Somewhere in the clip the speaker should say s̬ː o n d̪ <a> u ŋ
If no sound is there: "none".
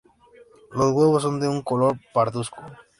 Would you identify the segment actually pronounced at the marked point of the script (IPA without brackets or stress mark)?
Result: e